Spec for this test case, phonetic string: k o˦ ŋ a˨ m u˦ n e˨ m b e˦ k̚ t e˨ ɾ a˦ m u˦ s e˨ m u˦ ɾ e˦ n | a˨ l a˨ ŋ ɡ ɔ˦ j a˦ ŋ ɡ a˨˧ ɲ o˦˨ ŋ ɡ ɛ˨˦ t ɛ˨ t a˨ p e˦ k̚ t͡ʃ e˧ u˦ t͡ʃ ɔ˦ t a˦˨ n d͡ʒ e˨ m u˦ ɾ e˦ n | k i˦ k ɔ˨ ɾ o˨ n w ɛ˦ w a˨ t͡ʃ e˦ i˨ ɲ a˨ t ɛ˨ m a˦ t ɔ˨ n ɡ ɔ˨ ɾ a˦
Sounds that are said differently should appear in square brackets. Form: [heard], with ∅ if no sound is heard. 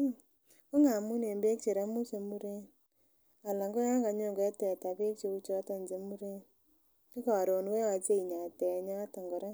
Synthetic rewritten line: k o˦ ŋ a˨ m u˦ n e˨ m b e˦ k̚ [t͡ʃ] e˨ ɾ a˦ m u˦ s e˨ m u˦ ɾ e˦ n | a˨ l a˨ ŋ ɡ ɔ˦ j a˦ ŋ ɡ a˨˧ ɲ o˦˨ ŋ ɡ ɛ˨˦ t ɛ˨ t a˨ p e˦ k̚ t͡ʃ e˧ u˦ t͡ʃ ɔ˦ t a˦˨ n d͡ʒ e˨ m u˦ ɾ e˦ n | k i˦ k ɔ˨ ɾ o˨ n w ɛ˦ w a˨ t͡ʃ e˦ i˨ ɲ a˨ t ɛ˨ [ɲ] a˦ t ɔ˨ [ŋ] ɡ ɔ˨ ɾ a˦